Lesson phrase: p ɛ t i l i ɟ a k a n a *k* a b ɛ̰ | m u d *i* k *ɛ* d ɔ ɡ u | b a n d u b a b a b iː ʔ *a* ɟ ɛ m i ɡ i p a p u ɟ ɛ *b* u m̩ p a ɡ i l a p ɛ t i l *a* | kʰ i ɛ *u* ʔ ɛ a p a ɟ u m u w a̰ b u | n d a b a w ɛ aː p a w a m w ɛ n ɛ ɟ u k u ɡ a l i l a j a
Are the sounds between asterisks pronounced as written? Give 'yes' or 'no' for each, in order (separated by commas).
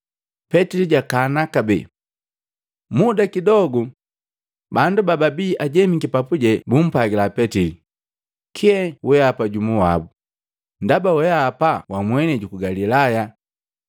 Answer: yes, no, no, yes, yes, no, no